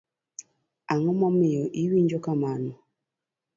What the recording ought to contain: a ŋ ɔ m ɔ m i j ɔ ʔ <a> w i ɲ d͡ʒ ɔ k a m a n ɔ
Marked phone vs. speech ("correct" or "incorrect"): incorrect